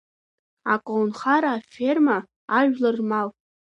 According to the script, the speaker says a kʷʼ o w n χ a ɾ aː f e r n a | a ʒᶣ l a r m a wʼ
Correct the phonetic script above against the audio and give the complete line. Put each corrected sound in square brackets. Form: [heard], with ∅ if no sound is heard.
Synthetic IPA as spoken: a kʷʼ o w n χ a ɾ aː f e r [m] a | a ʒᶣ l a r m a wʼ